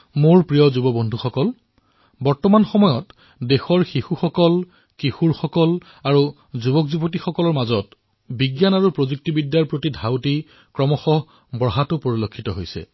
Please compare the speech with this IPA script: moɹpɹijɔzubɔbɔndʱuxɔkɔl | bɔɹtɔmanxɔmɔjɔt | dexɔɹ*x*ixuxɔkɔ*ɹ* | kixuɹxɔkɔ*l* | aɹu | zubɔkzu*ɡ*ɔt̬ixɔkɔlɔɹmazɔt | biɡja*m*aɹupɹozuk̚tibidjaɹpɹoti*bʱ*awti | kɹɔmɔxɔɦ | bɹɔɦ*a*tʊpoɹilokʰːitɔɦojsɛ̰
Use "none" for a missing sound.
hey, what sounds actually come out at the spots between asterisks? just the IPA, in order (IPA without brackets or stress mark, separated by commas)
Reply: x, l, l, b, n, dʱ, a